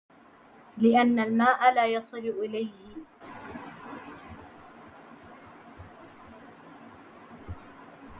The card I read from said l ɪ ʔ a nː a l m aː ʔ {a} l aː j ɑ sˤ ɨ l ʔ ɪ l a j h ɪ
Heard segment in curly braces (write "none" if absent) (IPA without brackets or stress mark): a